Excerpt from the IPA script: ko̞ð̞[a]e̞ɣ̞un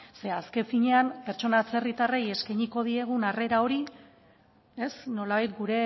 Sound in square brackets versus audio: incorrect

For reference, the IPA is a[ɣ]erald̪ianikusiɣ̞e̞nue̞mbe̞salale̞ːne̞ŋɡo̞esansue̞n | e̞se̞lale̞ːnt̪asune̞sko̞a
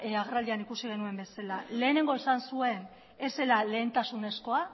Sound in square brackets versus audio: correct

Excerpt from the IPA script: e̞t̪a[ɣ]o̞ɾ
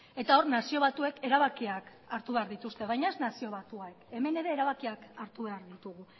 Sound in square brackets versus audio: incorrect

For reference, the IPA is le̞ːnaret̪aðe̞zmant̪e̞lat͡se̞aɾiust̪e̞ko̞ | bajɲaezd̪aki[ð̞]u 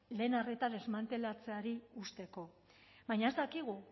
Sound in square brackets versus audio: incorrect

